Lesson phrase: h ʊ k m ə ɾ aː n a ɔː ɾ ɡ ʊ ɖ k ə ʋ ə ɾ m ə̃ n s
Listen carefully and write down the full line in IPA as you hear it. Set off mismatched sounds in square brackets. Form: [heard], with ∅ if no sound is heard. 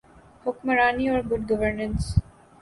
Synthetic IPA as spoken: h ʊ k m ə ɾ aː n [i] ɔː ɾ ɡ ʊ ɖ [ɡ] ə ʋ ə ɾ [n] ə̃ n s